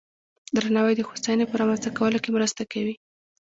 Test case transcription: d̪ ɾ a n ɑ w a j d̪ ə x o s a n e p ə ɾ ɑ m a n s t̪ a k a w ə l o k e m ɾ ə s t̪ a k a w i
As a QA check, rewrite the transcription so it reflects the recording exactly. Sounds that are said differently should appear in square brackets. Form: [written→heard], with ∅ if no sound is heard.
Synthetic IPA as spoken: d̪ ɾ a n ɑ w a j d̪ ə x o s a n e p ə ɾ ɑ m a n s t̪ a k a w ə l o k e m ɾ ə s t̪ a k a w i